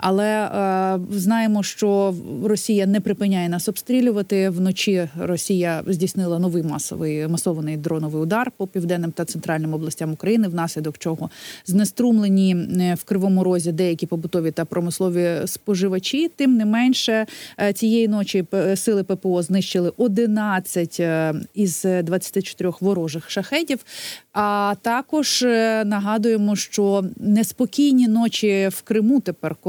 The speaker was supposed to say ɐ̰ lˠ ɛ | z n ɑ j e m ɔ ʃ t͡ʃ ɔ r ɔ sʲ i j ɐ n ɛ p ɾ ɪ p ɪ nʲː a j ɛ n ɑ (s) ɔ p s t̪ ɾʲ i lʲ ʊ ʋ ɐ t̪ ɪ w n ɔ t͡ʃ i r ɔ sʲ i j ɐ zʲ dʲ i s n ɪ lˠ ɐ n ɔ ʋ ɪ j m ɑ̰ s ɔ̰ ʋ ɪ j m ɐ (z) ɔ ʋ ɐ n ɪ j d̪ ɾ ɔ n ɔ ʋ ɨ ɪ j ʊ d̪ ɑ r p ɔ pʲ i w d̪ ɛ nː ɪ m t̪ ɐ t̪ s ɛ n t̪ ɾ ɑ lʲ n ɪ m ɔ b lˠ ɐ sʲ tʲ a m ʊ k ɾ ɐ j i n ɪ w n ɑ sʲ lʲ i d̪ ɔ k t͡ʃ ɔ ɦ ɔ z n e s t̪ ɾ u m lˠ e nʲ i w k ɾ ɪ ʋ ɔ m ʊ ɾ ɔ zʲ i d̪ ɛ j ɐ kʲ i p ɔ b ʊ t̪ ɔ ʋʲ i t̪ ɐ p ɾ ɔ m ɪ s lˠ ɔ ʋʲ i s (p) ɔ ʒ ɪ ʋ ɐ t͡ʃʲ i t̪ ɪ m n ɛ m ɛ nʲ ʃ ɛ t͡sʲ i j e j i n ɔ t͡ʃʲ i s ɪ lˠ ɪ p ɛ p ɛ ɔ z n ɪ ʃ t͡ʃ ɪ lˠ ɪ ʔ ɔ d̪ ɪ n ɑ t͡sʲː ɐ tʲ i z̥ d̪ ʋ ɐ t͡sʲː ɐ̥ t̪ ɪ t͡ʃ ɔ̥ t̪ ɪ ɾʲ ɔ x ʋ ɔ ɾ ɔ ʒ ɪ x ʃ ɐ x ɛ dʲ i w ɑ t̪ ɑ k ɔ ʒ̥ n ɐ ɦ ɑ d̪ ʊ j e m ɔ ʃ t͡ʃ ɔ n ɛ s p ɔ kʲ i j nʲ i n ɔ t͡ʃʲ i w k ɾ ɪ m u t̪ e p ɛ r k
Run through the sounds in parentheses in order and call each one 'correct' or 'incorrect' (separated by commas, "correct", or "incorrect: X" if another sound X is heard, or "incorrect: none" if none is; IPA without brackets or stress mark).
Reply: correct, incorrect: s, correct